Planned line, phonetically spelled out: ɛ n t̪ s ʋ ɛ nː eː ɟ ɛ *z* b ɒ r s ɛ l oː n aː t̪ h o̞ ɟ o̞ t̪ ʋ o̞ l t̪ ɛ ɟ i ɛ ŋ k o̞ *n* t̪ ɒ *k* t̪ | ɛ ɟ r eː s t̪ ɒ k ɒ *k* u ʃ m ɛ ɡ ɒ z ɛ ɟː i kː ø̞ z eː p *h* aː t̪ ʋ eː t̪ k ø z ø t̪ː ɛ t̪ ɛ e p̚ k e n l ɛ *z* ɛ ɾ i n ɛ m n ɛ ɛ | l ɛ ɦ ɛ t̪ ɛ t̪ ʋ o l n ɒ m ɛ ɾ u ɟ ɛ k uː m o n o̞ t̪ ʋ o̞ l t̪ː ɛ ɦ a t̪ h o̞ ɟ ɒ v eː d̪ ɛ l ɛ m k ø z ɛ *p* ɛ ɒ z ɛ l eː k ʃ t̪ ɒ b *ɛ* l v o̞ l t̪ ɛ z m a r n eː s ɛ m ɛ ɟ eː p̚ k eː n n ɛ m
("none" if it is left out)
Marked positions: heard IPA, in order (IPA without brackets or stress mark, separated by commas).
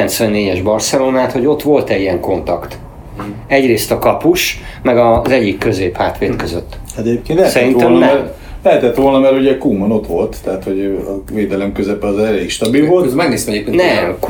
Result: ʒ, n, k, p, h, s, p, i